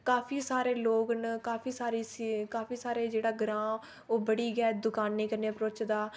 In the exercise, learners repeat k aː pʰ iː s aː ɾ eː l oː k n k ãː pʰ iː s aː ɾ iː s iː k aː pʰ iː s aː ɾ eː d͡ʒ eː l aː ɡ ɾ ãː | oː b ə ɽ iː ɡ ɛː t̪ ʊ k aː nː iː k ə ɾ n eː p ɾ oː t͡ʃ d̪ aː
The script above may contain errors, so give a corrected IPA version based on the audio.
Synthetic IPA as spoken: k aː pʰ iː s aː ɾ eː l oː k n k aː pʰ iː s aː ɾ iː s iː k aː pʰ iː s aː ɾ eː d͡ʒ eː ɽ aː ɡ ɾ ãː | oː b ə ɽ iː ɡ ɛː d̪ ʊ k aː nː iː k ə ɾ n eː p ɾ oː t͡ʃ d̪ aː